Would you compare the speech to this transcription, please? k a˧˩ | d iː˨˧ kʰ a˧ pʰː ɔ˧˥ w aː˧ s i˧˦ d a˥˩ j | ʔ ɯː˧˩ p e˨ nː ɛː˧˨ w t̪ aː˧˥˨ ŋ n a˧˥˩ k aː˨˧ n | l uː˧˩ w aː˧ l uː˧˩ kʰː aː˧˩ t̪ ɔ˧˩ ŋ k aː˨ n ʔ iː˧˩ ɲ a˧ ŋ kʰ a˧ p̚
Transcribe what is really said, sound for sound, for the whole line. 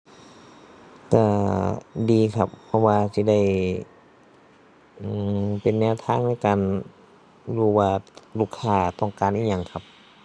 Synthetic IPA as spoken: k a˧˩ | d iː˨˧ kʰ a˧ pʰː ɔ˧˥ w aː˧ s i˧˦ d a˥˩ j | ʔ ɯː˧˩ p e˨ nː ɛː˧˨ w t̪ʰ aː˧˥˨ ŋ n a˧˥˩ k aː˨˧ n | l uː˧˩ w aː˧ l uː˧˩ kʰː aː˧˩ t̪ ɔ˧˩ ŋ k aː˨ n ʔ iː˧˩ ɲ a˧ ŋ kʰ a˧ p̚

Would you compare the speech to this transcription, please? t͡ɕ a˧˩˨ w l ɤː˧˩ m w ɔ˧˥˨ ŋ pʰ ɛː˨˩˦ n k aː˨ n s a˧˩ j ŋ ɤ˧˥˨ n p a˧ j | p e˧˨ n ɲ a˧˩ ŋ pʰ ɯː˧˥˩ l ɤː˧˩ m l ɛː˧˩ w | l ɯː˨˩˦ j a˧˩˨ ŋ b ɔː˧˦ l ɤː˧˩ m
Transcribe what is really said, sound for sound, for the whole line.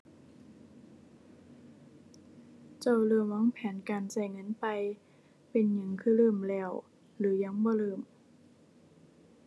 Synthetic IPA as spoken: t͡ɕ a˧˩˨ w l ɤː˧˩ m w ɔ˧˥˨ ŋ pʰ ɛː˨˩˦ n k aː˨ n s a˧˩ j ŋ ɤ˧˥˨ n p a˧ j | p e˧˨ n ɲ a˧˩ ŋ kʰ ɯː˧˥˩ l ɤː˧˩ m l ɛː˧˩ w | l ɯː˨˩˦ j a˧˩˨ ŋ b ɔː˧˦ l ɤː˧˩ m

